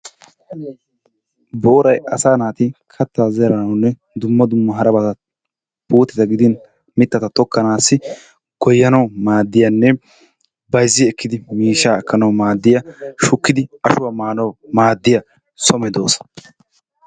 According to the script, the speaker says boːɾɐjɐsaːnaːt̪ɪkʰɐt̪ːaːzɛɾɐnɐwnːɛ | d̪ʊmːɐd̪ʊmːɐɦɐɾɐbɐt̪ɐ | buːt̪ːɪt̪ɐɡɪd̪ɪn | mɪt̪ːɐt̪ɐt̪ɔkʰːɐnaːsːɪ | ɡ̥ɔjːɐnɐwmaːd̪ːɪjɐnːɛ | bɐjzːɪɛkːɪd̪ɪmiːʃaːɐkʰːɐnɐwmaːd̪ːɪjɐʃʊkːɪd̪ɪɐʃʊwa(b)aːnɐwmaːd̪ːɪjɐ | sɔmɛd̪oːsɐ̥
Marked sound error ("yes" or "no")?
yes